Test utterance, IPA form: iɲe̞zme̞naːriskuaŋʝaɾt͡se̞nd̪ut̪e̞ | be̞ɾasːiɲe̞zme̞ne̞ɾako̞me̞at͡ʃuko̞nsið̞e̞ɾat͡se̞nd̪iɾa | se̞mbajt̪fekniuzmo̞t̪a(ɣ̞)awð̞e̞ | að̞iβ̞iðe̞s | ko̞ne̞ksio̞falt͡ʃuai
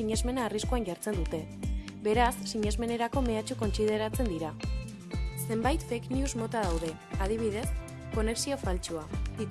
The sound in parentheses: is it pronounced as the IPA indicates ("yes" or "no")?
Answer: no